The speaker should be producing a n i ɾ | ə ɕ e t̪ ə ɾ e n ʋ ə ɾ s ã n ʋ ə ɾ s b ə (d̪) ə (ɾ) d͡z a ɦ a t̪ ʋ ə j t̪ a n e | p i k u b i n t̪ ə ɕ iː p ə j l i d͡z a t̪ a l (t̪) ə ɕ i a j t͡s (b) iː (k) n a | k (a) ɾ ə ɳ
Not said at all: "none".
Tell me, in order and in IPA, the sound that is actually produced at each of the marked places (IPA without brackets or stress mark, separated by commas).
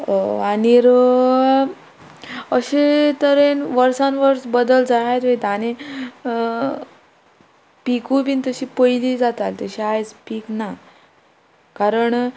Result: d̪, l, t̪, p, k, a